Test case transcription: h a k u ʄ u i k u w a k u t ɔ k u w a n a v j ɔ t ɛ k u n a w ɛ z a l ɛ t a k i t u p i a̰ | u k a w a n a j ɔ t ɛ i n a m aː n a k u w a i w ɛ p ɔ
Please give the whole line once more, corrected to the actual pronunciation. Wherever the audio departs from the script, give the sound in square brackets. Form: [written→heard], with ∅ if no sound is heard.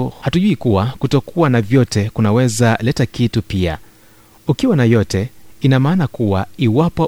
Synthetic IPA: h a [k→t] u ʄ u i k u w a k u t ɔ k u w a n a v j ɔ t ɛ k u n a w ɛ z a l ɛ t a k i t u p i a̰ | u k [a→i] w a n a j ɔ t ɛ i n a m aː n a k u w a i w [ɛ→a] p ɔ